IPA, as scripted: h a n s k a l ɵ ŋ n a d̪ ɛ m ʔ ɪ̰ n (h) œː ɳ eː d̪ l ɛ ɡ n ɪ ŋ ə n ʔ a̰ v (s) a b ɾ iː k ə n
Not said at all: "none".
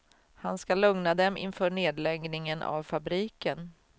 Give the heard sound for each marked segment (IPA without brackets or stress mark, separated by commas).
f, f